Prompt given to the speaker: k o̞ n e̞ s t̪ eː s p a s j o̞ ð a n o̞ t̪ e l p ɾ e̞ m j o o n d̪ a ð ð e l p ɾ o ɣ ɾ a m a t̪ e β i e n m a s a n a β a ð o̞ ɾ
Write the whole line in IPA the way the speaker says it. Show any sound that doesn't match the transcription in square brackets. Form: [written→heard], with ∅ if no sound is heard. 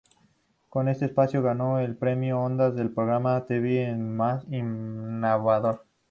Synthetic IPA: k o̞ n e̞ s t̪ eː s p a s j o̞ [ð→ɣ] a n o̞ [t̪→∅] e l p ɾ e̞ m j o o n d̪ a [ð→z] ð e l p ɾ o ɣ ɾ a m a t̪ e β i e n m a s [a→i] n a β a ð o̞ ɾ